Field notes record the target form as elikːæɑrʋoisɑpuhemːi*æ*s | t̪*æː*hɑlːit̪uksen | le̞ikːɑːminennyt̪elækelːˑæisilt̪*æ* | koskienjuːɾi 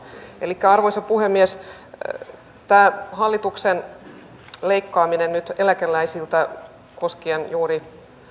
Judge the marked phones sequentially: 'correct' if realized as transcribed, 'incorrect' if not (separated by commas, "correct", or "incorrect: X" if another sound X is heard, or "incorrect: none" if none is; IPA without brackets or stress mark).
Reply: incorrect: e, correct, correct